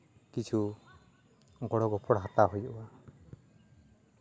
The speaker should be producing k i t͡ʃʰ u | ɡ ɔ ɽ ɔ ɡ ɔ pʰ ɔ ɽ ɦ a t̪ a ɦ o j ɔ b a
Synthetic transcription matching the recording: k i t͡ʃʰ u | ɡ ɔ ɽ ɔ ɡ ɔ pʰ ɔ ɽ ɦ a t̪ a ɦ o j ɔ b a